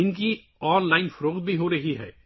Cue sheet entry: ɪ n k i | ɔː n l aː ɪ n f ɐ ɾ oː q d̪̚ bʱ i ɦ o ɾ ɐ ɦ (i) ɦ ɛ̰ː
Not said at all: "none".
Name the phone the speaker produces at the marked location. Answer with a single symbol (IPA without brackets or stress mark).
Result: i